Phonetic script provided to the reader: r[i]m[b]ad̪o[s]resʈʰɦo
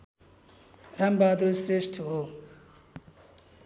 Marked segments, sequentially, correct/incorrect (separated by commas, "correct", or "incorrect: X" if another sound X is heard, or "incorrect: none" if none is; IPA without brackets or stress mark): incorrect: a, correct, correct